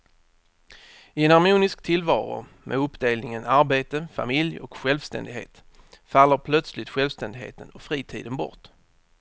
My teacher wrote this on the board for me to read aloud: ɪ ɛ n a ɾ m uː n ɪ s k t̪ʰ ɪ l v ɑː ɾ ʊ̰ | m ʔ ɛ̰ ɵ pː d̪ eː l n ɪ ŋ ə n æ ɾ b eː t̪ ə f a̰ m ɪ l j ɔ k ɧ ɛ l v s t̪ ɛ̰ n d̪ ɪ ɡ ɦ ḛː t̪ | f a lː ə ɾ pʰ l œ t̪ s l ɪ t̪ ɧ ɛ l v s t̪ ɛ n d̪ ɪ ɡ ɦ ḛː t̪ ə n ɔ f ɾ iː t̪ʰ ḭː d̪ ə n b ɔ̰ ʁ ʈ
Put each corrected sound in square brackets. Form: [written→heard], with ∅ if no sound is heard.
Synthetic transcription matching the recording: ɪ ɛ n a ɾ m uː n ɪ s k t̪ʰ ɪ l v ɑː ɾ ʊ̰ | m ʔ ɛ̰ ɵ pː d̪ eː l n ɪ ŋ ə n [æ→a] ɾ b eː t̪ ə f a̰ m ɪ l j ɔ k ɧ ɛ l v s t̪ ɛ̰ n d̪ ɪ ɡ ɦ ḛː t̪ | f a lː ə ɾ pʰ l œ t̪ s l ɪ t̪ ɧ ɛ l v s t̪ ɛ n d̪ ɪ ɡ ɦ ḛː t̪ ə n ɔ f ɾ iː t̪ʰ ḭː d̪ ə n b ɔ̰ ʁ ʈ

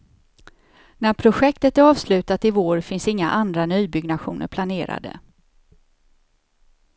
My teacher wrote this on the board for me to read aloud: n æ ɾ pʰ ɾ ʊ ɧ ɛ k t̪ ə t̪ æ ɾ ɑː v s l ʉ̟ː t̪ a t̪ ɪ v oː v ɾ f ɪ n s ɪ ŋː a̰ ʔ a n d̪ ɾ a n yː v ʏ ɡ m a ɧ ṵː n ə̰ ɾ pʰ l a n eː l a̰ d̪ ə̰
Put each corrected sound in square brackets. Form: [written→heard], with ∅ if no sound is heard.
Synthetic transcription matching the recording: n æ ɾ pʰ ɾ ʊ ɧ ɛ k t̪ ə t̪ æ ɾ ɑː v s l ʉ̟ː t̪ a t̪ ɪ v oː [v→∅] ɾ f ɪ n s ɪ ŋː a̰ ʔ a n d̪ ɾ a n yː [v→b] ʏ ɡ [m→n] a ɧ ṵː n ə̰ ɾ pʰ l a n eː [l→ɾ] a̰ d̪ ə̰

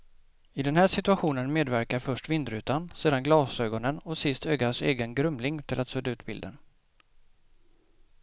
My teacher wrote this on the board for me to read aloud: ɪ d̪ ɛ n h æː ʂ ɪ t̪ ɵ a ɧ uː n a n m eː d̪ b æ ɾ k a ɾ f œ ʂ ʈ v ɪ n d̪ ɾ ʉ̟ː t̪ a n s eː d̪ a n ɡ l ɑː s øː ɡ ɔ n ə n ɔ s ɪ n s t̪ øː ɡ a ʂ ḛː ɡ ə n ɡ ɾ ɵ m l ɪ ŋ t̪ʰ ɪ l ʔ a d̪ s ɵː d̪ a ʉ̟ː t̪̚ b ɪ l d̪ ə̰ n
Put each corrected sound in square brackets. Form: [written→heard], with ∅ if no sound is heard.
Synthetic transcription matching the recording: ɪ d̪ ɛ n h æː ʂ ɪ t̪ ɵ a ɧ uː n [a→ə] n m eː d̪ [b→v] æ ɾ k a ɾ f œ ʂ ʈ v ɪ n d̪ ɾ ʉ̟ː t̪ a n s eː d̪ a n ɡ l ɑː s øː ɡ ɔ n ə n ɔ s ɪ [n→∅] s t̪ øː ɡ a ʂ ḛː ɡ ə n ɡ ɾ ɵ m l ɪ ŋ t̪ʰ ɪ l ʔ a [d̪→t̪] s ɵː d̪ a ʉ̟ː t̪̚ b ɪ l d̪ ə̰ n

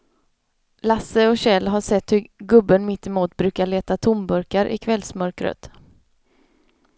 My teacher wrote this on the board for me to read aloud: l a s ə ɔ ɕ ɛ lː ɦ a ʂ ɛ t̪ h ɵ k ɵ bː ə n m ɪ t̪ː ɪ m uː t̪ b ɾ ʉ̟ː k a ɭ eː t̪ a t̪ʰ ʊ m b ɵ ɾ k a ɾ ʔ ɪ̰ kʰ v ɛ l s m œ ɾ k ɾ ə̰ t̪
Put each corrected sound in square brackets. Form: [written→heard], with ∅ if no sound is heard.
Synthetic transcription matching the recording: l a s ə ɔ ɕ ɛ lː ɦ a ʂ ɛ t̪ h ɵ [k→ɡ] ɵ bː ə n m ɪ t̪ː ɪ m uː t̪ b ɾ ʉ̟ː k a ɭ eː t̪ a t̪ʰ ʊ m b ɵ ɾ k a ɾ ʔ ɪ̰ kʰ v ɛ l s m œ ɾ k ɾ ə̰ t̪

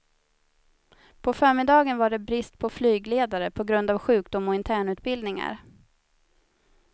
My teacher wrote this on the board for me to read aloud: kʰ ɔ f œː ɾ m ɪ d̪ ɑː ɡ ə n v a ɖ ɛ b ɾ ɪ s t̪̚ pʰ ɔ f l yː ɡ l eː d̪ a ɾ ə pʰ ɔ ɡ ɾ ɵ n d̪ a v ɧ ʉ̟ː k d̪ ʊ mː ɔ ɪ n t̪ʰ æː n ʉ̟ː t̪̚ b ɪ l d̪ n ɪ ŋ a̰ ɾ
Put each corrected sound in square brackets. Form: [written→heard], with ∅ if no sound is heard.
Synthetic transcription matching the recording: [kʰ→pʰ] ɔ f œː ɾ m ɪ d̪ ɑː ɡ ə n v a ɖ ɛ b ɾ ɪ s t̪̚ pʰ ɔ f l yː ɡ l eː d̪ a ɾ ə pʰ ɔ ɡ ɾ ɵ n d̪ a v ɧ ʉ̟ː k d̪ ʊ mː ɔ ɪ n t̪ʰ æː [n→ɳ] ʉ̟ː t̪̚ b ɪ l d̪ n ɪ ŋ a̰ ɾ

